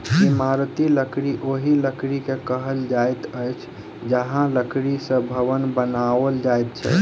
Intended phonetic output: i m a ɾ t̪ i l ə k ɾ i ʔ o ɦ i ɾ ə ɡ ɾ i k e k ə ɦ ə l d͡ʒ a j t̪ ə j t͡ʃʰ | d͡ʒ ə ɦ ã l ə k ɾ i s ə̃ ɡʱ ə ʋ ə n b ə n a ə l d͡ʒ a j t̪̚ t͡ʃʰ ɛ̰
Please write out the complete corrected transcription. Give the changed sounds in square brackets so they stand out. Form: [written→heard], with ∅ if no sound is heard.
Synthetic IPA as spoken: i m a ɾ t̪ i l ə k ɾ i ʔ o ɦ i [ɾ→l] ə [ɡ→k] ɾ i k e k ə ɦ ə l d͡ʒ a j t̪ ə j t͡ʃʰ | d͡ʒ ə ɦ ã l ə k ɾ i s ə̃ [ɡʱ→bʱ] ə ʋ ə n b ə n a ə l d͡ʒ a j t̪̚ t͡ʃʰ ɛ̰